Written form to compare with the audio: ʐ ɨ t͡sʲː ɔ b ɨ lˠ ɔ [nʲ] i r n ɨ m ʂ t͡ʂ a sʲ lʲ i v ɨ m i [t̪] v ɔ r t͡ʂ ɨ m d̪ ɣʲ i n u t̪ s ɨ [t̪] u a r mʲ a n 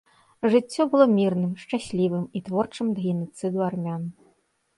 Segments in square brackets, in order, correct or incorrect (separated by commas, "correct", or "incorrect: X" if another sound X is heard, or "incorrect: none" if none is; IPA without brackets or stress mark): incorrect: mʲ, correct, incorrect: d̪